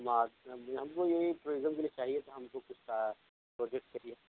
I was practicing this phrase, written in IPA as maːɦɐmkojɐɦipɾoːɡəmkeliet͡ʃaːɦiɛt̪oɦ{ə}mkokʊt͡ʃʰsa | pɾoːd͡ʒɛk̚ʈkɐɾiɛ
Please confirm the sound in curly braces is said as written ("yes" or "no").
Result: no